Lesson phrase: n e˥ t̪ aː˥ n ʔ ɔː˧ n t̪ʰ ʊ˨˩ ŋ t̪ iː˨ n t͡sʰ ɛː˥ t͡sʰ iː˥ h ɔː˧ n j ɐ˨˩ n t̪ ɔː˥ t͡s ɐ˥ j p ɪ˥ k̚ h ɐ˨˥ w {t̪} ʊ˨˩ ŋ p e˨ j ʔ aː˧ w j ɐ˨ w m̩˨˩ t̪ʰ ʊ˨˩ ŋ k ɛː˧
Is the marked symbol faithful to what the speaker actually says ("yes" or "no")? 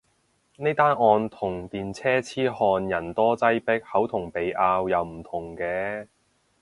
no